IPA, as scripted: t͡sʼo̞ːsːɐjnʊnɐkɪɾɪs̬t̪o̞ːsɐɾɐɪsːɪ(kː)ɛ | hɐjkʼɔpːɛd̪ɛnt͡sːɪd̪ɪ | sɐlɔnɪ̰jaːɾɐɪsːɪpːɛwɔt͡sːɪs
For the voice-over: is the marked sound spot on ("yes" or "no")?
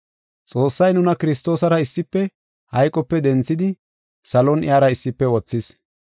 no